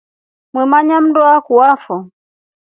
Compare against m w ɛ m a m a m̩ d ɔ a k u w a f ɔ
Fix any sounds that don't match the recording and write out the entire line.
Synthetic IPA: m w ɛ m a ɲ a m̩ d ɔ a k u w a f ɔ